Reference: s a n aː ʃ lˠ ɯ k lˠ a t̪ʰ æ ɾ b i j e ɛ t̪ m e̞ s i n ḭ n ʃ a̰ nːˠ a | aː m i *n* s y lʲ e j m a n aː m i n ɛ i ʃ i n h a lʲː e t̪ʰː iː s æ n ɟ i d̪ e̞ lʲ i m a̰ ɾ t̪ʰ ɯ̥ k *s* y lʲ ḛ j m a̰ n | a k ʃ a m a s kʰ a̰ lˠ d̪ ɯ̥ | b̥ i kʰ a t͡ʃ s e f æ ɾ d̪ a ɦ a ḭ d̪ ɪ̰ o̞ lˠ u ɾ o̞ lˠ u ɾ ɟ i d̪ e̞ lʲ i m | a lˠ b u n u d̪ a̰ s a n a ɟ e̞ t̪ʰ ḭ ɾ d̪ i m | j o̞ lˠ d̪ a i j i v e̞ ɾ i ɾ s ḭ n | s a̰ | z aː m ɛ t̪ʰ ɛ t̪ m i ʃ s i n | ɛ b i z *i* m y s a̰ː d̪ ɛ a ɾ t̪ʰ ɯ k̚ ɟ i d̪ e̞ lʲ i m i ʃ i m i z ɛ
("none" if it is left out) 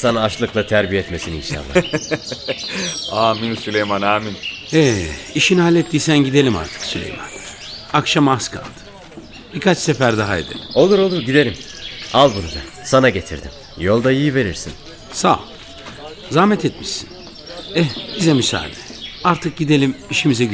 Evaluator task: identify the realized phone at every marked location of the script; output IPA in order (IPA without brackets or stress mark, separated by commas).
n, s, ɛ